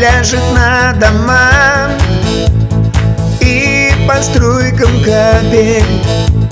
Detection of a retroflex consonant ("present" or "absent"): present